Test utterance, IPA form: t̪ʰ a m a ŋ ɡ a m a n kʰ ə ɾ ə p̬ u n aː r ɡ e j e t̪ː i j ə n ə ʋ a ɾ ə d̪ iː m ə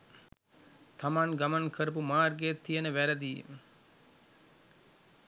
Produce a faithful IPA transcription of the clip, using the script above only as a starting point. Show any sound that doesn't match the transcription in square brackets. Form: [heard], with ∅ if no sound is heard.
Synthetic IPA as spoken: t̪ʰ a m a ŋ ɡ a m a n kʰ ə ɾ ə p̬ u [m] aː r ɡ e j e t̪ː i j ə n ə ʋ [æ] ɾ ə d̪ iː m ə